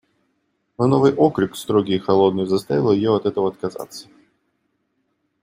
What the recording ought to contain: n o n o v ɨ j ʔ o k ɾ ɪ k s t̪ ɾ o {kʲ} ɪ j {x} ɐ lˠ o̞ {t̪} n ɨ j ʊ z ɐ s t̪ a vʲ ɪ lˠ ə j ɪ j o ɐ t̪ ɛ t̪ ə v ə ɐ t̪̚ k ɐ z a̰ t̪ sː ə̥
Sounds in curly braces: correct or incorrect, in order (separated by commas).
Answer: incorrect, correct, incorrect